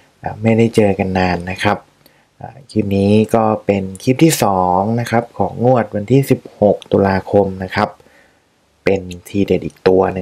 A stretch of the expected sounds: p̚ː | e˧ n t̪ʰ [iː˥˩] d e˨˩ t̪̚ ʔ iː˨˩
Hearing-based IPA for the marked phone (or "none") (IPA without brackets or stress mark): iː˧